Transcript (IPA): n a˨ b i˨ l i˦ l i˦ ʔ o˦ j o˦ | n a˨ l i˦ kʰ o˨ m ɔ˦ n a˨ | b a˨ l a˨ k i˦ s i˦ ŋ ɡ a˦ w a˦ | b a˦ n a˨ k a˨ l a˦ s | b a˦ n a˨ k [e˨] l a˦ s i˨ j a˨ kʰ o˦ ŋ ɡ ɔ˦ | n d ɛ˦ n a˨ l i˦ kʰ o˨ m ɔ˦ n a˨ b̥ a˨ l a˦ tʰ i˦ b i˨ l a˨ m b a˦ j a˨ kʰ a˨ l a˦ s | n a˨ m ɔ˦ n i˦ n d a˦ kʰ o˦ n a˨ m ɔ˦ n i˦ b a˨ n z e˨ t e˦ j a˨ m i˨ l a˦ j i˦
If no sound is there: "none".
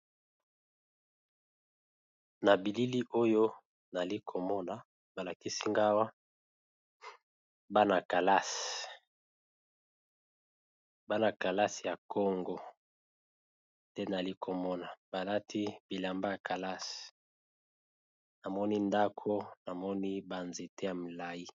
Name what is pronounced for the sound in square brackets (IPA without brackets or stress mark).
a˨